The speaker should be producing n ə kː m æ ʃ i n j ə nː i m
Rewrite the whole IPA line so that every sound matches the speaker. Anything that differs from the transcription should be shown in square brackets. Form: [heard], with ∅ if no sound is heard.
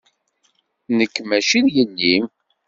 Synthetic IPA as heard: n ə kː m æ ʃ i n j ə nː i m